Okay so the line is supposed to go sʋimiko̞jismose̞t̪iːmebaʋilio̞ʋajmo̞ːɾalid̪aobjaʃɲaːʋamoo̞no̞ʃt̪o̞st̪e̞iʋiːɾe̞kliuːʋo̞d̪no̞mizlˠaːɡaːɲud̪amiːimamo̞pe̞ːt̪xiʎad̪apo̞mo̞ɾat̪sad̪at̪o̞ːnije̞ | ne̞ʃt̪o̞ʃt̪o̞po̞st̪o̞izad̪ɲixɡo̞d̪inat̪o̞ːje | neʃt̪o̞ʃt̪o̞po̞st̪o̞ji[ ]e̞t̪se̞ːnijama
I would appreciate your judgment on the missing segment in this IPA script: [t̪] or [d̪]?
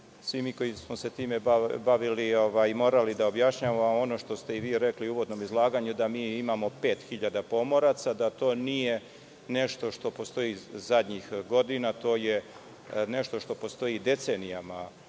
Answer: d̪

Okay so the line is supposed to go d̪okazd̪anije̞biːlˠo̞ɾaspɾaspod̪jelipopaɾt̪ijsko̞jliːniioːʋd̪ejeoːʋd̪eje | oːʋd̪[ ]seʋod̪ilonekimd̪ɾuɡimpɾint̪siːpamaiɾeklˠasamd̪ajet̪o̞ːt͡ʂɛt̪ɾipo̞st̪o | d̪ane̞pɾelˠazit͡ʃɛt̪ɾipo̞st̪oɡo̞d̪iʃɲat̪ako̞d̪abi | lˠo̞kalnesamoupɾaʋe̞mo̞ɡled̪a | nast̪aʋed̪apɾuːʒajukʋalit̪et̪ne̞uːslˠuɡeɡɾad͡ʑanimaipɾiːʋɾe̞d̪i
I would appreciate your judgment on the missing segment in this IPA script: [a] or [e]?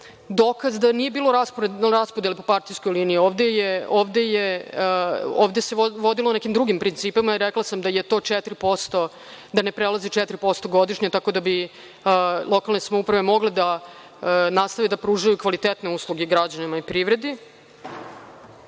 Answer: e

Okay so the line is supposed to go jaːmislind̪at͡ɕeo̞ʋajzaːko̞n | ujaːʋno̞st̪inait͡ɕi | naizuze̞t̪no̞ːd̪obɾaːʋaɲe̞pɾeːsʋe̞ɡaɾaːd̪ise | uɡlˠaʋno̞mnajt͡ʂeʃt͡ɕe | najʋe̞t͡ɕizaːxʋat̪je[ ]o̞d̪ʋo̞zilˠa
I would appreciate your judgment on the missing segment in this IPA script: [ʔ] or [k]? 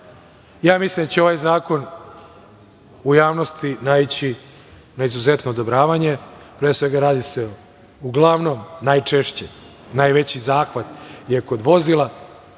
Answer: k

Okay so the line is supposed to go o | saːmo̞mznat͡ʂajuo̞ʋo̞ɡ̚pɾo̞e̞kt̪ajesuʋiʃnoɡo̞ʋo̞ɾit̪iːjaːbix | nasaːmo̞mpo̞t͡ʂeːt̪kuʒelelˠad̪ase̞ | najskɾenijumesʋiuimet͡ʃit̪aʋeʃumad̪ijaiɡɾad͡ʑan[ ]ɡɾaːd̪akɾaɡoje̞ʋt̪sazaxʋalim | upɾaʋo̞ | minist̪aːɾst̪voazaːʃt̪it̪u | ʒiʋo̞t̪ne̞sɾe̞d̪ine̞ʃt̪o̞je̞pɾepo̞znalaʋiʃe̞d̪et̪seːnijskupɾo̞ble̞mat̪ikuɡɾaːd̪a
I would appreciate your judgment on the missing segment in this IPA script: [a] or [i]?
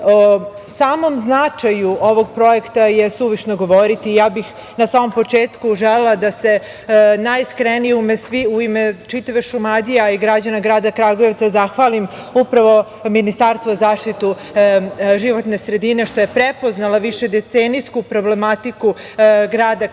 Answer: a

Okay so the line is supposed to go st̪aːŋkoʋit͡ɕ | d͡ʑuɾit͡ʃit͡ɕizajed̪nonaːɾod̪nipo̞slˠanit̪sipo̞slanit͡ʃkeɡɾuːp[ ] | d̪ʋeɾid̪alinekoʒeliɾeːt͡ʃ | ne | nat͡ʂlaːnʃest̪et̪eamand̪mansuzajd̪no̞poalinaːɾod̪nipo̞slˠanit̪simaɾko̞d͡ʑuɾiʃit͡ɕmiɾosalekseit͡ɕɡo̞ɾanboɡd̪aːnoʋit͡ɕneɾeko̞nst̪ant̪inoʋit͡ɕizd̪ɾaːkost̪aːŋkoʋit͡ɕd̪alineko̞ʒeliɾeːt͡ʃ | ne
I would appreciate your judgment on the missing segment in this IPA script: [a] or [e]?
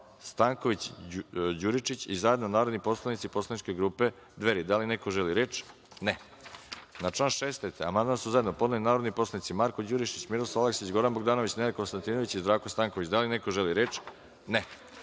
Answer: e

